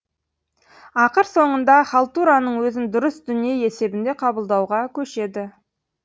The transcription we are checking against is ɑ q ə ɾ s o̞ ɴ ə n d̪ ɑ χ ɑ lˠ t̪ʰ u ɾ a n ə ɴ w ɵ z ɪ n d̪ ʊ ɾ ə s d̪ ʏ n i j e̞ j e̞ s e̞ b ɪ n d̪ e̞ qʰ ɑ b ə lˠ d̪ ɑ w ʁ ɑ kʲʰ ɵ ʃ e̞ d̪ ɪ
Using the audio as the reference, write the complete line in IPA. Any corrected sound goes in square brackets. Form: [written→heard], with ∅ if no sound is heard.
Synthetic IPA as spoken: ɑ q ə ɾ s o̞ ɴ ə n d̪ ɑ χ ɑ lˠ [t̪ʰ→t̪] u ɾ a n ə ɴ w ɵ z ɪ n d̪ ʊ ɾ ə s d̪ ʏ n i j e̞ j e̞ s e̞ b ɪ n d̪ e̞ qʰ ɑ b ə lˠ d̪ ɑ w ʁ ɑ kʲʰ ɵ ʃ e̞ d̪ ɪ

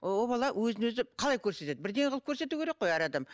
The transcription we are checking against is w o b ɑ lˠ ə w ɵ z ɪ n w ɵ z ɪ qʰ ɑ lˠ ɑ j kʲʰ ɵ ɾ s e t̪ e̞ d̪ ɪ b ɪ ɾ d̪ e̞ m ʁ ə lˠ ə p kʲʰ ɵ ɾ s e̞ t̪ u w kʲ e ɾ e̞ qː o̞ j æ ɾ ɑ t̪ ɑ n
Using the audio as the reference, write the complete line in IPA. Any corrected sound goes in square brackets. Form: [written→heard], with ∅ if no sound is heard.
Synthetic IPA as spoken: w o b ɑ lˠ [ə→ɑ] w ɵ z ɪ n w ɵ z ɪ qʰ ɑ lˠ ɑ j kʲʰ ɵ ɾ s e t̪ e̞ d̪ ɪ b ɪ ɾ d̪ e̞ [m→ŋ] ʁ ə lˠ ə p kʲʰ ɵ ɾ s e̞ t̪ u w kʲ e ɾ e̞ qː o̞ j æ ɾ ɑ [t̪→d̪] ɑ [n→m]

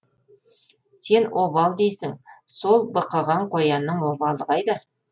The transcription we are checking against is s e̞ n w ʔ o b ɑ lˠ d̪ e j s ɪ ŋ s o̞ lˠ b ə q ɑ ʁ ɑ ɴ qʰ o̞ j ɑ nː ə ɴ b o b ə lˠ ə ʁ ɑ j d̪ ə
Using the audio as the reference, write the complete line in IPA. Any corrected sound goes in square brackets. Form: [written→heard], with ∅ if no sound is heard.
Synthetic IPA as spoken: s e̞ n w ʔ o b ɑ lˠ d̪ e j s ɪ ŋ s o̞ lˠ b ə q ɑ ʁ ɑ ɴ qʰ o̞ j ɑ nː ə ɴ [b→w] o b [ə→ɑ] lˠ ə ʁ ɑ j d̪ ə

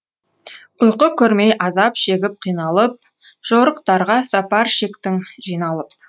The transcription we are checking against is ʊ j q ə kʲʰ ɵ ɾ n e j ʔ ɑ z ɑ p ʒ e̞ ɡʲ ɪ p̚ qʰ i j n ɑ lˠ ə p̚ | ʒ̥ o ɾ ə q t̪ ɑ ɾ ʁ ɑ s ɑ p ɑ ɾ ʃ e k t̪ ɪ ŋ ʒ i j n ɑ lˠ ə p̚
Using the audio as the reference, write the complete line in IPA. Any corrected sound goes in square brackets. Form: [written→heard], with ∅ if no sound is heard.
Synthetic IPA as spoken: ʊ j q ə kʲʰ ɵ ɾ [n→m] e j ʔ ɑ z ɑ p [ʒ→ʃ] e̞ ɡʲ ɪ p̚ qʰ i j n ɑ lˠ ə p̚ | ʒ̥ o ɾ ə q t̪ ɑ ɾ ʁ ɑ s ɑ p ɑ ɾ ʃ e k t̪ ɪ ŋ ʒ i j n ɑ lˠ ə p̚

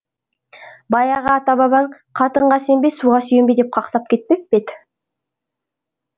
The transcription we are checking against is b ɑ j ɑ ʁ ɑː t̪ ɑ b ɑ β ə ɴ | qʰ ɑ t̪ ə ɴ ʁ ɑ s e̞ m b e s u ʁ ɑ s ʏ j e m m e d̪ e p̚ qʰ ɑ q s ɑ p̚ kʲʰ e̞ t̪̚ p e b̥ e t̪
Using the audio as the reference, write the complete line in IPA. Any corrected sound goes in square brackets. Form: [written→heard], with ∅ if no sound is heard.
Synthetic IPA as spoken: b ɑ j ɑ ʁ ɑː t̪ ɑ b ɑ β [ə→ɑ] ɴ | qʰ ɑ t̪ ə ɴ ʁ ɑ s e̞ m b e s u ʁ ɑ s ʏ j e m [m→b] e d̪ e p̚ qʰ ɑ q s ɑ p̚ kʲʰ e̞ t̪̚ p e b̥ e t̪

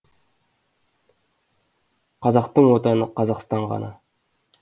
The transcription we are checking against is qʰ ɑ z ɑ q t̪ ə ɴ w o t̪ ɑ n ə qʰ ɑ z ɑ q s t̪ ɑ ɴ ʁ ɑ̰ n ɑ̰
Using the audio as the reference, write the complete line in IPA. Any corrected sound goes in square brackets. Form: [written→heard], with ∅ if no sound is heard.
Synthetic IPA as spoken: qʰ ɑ z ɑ q t̪ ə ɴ w o t̪ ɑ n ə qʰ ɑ z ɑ q s t̪ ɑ ɴ ʁ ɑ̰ n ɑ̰

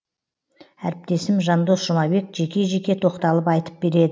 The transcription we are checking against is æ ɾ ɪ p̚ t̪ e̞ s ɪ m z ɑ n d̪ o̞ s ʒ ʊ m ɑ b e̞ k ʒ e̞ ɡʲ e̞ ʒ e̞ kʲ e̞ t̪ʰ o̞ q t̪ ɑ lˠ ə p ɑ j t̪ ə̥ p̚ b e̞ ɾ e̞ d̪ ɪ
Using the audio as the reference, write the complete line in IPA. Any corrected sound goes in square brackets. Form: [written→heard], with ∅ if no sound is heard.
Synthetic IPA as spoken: æ ɾ ɪ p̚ t̪ e̞ s ɪ m [z→ʒ] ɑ n d̪ o̞ s ʒ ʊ m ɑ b e̞ k ʒ e̞ [ɡʲ→kʲ] e̞ ʒ e̞ kʲ e̞ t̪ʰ o̞ q t̪ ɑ lˠ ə p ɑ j t̪ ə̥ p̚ b e̞ ɾ e̞ d̪ ɪ

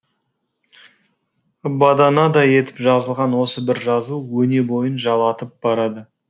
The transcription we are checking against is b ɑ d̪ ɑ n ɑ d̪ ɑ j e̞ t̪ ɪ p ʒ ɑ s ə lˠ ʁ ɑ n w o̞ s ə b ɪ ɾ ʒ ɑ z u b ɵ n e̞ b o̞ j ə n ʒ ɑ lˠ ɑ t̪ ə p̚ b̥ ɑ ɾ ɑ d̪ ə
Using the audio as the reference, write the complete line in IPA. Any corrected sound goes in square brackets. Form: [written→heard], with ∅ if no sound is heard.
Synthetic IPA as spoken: b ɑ d̪ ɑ n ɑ d̪ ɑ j e̞ t̪ ɪ p ʒ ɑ [s→z] ə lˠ ʁ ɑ n w o̞ s ə b ɪ ɾ ʒ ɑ z u [b→w] ɵ n e̞ b o̞ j ə n ʒ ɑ lˠ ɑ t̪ ə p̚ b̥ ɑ ɾ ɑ d̪ ə

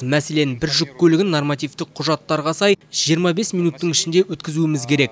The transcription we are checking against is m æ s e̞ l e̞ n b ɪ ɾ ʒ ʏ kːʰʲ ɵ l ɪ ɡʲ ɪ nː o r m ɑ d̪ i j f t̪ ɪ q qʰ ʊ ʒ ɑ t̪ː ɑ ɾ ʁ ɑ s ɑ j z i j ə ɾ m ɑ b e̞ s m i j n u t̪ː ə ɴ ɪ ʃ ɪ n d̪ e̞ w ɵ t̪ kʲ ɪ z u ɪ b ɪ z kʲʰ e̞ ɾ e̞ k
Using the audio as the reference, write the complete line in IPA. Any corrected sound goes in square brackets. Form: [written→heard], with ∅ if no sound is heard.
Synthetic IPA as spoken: m æ s e̞ l e̞ n b ɪ ɾ ʒ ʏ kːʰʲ ɵ l ɪ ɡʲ ɪ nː o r m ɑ [d̪→t̪] i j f t̪ ɪ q qʰ ʊ ʒ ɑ t̪ː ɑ ɾ ʁ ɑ s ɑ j [z→ʒ] i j ə ɾ m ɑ b e̞ s m i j n u t̪ː ə ɴ ɪ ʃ ɪ n d̪ e̞ w ɵ t̪ kʲ ɪ z u ɪ [b→m] ɪ z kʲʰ e̞ ɾ e̞ k

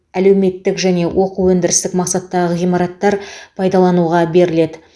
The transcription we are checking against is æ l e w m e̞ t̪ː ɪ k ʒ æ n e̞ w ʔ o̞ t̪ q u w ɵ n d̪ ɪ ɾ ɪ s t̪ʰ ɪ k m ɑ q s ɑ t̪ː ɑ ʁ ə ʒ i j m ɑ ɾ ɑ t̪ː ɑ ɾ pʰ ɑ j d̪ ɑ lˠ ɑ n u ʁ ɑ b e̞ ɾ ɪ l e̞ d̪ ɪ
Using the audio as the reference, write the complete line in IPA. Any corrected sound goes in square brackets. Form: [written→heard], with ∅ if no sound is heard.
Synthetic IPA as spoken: æ l e w m e̞ t̪ː ɪ k ʒ æ n e̞ w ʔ o̞ [t̪→∅] q u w ɵ n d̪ ɪ ɾ ɪ s [t̪ʰ→t̪] ɪ k m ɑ q s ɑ t̪ː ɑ ʁ ə [ʒ→ʁ] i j m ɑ ɾ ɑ t̪ː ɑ ɾ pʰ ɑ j d̪ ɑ lˠ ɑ n u ʁ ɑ b e̞ ɾ ɪ l e̞ d̪ ɪ

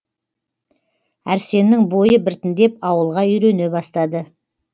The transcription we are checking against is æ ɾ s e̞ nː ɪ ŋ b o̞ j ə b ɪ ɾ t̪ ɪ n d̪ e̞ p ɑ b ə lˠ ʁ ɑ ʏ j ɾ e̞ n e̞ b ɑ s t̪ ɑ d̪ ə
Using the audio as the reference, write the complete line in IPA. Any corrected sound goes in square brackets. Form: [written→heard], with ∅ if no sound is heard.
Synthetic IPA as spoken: æ ɾ s e̞ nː ɪ ŋ b o̞ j ə b ɪ ɾ t̪ ɪ n d̪ e̞ p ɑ [b→w] ə lˠ ʁ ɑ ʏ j ɾ e̞ n e̞ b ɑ s t̪ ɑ d̪ ə

